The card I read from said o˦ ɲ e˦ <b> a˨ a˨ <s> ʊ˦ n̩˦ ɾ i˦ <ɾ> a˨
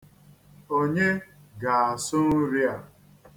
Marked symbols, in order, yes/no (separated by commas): no, yes, no